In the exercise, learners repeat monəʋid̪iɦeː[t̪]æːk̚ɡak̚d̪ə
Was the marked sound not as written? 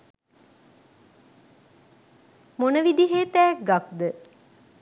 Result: no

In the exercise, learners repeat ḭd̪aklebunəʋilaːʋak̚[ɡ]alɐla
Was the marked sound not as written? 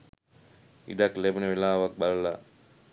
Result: yes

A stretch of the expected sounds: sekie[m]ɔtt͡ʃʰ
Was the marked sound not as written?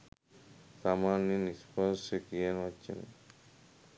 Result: yes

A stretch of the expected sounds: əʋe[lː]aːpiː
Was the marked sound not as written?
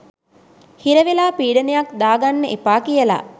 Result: yes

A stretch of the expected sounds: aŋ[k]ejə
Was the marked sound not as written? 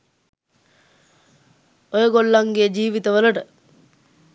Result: yes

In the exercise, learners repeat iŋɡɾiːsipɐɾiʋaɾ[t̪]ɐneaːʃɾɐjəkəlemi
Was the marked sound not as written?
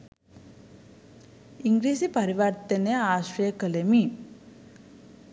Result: no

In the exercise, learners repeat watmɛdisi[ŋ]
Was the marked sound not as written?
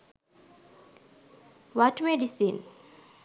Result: yes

